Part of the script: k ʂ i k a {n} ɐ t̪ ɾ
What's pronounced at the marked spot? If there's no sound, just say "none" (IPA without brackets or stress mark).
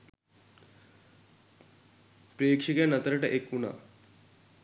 n